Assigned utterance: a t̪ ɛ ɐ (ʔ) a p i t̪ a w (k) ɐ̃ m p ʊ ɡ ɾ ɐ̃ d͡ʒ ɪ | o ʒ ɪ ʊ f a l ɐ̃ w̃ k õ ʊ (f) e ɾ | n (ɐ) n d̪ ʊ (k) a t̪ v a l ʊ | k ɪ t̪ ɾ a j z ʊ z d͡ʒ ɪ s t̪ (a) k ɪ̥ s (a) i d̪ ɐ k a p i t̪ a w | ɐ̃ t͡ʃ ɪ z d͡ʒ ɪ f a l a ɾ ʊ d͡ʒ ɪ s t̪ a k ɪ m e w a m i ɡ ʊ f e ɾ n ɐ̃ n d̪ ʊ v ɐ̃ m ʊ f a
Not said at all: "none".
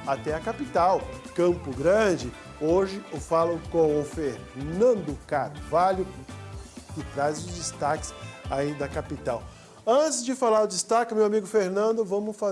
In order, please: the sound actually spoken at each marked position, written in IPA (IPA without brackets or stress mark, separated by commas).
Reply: k, k, f, ɐ̃, k, a, a